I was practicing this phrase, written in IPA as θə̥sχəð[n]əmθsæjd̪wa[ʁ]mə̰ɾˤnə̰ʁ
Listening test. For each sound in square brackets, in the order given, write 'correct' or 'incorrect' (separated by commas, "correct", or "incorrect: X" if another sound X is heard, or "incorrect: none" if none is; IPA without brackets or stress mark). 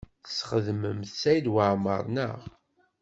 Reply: incorrect: m, incorrect: ʕ